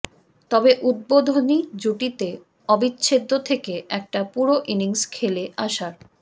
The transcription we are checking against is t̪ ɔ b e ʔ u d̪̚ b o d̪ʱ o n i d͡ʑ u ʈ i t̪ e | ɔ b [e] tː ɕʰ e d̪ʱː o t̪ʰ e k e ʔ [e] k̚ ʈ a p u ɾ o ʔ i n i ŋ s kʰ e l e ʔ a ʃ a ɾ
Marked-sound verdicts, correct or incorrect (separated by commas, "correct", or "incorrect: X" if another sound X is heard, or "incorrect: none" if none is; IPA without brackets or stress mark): incorrect: i, incorrect: ɛ